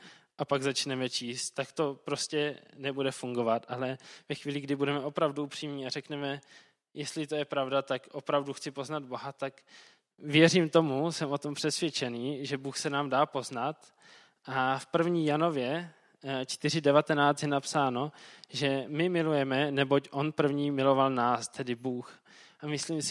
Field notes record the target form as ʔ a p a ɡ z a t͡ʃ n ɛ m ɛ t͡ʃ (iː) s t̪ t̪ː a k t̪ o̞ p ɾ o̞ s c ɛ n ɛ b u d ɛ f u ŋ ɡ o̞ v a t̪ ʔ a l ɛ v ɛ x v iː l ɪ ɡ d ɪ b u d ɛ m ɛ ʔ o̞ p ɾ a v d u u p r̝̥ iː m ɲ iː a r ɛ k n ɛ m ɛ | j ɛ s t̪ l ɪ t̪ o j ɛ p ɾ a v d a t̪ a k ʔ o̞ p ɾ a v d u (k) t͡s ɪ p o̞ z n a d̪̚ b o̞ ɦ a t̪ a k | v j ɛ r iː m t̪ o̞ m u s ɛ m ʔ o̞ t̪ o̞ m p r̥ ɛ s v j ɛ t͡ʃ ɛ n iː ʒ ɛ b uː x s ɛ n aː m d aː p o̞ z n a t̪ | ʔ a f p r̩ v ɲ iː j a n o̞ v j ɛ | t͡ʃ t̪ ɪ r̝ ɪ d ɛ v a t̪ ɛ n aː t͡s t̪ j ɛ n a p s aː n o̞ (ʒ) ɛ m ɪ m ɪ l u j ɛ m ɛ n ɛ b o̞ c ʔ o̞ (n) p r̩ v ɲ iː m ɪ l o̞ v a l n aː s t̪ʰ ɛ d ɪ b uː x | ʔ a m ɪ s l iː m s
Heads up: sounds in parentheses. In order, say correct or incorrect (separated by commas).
correct, incorrect, correct, correct